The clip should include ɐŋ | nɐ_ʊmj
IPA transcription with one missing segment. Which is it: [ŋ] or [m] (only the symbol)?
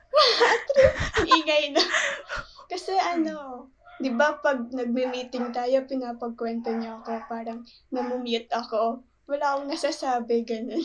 m